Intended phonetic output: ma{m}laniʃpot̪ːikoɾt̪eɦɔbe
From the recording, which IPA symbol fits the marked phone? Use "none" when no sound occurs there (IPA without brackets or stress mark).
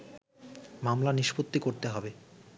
m